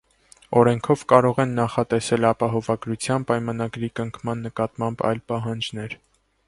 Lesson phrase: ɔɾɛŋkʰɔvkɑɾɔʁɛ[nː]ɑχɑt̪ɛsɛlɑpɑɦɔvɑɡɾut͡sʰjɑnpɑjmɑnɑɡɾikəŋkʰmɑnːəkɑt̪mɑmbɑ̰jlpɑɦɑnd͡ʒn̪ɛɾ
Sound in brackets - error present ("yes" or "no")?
no